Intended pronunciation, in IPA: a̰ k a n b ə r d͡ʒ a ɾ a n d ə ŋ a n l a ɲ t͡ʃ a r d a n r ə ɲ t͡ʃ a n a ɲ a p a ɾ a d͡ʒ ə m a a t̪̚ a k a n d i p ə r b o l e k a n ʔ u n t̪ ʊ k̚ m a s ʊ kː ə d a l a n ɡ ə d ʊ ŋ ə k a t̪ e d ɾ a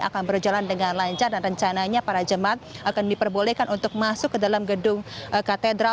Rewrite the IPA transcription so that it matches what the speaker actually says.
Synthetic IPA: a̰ k a n b ə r d͡ʒ a l a n d ə ŋ a n l a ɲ t͡ʃ a r d a n r ə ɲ t͡ʃ a n a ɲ a p a ɾ a d͡ʒ ə m a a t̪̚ a k a n d i p ə r b o l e k a n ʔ u n t̪ ʊ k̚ m a s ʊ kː ə d a l a m ɡ ə d ʊ ŋ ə k a t̪ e d ɾ a